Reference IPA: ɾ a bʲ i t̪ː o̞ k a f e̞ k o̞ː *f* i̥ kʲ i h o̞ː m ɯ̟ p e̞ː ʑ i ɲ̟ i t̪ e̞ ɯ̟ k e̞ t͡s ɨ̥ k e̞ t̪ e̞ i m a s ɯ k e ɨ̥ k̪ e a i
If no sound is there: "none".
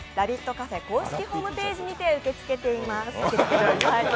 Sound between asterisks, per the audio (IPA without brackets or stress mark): ɕ